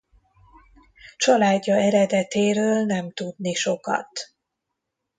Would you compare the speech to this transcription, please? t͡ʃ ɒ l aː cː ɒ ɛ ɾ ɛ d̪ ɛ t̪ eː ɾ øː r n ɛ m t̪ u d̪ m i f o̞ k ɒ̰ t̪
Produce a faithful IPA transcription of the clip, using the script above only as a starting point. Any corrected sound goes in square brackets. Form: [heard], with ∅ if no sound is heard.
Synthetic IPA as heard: t͡ʃ ɒ l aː [ɟː] ɒ ɛ ɾ ɛ d̪ ɛ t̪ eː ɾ øː [l] n ɛ m t̪ u d̪ [n] i [ʃ] o̞ k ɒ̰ t̪